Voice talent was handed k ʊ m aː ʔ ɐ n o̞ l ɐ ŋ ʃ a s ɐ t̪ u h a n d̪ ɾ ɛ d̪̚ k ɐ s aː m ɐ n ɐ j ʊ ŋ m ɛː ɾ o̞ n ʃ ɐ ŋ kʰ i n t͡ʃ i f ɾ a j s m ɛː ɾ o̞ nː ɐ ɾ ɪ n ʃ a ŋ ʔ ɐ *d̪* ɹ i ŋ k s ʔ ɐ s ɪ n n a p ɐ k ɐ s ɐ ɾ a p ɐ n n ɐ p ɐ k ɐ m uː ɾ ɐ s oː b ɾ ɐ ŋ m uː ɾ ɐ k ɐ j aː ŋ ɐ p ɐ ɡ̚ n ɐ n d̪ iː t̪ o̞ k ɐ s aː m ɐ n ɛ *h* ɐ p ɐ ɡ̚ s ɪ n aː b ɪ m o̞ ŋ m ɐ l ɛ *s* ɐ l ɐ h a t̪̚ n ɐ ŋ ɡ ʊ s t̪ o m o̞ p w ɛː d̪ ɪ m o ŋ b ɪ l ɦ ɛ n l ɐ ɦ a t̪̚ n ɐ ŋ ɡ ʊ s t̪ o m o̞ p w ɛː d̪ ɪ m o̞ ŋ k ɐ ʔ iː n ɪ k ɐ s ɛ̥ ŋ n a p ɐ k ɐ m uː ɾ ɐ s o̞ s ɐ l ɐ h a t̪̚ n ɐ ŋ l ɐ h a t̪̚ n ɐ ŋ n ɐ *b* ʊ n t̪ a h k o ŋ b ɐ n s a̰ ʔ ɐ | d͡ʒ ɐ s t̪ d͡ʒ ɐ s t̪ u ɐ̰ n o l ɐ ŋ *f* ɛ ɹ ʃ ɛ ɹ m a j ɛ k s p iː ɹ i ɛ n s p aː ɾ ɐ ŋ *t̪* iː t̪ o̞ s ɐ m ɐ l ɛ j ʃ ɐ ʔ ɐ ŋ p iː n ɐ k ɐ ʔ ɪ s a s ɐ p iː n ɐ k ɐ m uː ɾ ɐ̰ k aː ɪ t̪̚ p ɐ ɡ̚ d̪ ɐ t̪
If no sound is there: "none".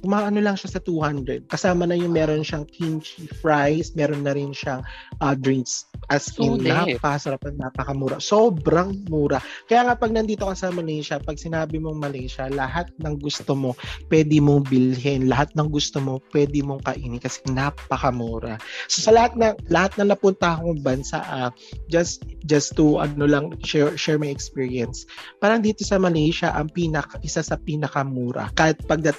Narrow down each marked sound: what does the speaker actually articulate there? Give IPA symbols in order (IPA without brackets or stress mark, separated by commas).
d̪, ʃ, ʃ, p, ʃ, d̪